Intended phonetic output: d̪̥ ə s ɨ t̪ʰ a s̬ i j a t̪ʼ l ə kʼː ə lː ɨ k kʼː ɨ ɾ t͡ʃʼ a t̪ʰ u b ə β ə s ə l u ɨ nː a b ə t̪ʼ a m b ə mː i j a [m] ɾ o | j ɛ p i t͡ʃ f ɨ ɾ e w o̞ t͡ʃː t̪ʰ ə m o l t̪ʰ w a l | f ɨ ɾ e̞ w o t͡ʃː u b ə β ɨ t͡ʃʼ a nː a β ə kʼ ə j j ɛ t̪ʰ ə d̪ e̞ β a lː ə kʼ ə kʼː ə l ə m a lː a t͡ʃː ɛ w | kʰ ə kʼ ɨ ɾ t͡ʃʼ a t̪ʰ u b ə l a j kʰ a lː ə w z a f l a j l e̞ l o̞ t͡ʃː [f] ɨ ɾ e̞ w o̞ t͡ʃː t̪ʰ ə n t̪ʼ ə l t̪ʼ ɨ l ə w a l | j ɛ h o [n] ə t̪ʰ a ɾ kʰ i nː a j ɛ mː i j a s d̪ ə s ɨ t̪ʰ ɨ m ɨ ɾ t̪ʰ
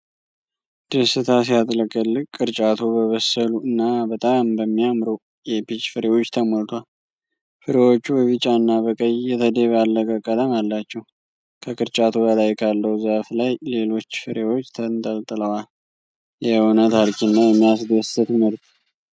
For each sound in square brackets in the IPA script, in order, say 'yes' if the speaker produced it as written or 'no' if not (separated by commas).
yes, yes, yes